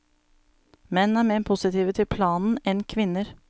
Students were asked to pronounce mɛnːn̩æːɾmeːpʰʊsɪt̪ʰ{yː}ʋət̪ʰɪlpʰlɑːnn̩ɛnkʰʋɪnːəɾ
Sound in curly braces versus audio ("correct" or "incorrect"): incorrect